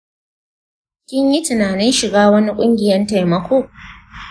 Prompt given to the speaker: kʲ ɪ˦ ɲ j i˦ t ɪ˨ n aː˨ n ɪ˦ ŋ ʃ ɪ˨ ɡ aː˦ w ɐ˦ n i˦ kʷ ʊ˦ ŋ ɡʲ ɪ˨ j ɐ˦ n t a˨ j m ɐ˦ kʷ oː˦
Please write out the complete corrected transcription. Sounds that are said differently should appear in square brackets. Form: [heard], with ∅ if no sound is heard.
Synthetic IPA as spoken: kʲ ɪ˦ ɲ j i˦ t ɪ˨ n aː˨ n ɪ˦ [n] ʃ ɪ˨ ɡ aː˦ w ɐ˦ n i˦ [kʷʼ] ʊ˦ ŋ ɡʲ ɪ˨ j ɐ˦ n t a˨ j m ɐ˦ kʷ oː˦